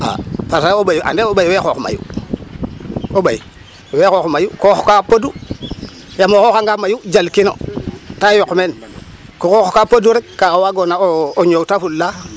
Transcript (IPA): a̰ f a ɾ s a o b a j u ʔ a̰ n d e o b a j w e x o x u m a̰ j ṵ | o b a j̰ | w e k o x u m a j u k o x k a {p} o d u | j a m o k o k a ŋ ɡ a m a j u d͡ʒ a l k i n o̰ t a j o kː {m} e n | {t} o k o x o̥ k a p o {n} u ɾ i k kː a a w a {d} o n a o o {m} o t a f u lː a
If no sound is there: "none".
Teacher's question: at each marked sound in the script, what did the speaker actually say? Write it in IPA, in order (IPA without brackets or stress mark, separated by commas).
p, m, k, d, ɡ, ɲ